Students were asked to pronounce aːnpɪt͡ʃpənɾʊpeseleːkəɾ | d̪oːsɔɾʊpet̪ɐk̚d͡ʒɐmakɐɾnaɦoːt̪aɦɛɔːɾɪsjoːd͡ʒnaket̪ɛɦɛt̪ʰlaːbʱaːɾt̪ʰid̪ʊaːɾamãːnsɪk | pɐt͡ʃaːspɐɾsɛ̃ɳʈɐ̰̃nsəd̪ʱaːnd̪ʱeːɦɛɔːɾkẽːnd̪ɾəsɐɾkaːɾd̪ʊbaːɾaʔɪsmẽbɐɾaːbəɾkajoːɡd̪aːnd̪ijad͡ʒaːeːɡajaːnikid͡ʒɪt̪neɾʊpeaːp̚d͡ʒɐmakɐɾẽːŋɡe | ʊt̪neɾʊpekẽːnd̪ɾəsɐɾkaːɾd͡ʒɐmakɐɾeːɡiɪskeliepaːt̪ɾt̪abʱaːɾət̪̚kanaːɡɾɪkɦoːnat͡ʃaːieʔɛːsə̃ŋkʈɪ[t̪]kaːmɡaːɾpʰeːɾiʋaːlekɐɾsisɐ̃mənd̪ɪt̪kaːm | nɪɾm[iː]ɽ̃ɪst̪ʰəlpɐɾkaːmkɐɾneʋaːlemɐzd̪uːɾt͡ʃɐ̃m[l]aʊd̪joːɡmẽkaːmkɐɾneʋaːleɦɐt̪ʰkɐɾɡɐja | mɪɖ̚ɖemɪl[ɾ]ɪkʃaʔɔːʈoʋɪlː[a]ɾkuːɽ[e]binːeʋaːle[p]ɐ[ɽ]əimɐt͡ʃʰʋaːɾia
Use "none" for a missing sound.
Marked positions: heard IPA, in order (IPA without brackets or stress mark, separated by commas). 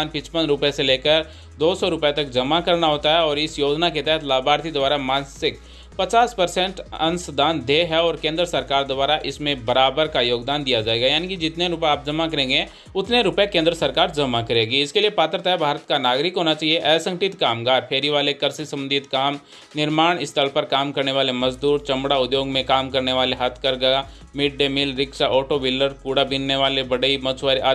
t̪, aː, ɽ, ɾ, ə, a, b, ɽ